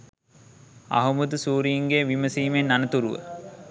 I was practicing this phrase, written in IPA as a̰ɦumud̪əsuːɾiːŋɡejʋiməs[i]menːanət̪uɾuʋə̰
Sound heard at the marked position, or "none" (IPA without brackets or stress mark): iː